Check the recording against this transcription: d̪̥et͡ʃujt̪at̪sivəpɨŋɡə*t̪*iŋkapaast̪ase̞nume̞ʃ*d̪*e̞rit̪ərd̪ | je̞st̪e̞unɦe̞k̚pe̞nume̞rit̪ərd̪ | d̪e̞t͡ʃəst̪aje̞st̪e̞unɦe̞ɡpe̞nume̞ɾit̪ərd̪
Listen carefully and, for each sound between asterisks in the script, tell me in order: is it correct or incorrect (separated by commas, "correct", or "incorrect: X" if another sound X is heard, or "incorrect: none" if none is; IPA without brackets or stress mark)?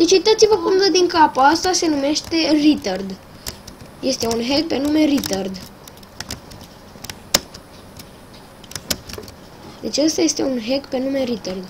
incorrect: d̪, incorrect: t̪